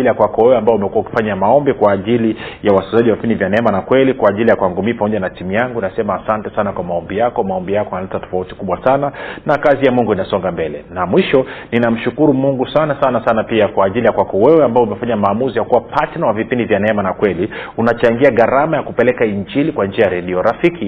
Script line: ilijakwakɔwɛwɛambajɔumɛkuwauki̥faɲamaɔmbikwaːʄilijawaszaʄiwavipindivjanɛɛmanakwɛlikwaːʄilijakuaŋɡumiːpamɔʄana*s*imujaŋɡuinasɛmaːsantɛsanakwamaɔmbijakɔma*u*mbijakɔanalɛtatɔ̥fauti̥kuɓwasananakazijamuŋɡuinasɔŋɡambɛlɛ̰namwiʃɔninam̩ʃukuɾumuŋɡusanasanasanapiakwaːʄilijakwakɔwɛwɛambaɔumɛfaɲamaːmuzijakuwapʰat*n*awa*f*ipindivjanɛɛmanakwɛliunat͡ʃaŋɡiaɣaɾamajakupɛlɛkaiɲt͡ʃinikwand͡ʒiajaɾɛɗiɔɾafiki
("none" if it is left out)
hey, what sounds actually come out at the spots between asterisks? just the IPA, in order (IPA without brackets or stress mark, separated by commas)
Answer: t, ɔ, n, v